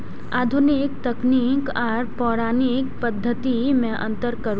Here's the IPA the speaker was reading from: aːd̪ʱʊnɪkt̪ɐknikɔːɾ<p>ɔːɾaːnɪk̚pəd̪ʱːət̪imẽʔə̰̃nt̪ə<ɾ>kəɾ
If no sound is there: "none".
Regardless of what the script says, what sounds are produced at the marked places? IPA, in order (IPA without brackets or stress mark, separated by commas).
p, ɾ